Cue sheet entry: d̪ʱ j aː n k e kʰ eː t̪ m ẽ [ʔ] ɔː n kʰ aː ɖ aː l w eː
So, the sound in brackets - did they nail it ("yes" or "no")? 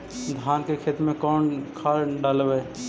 no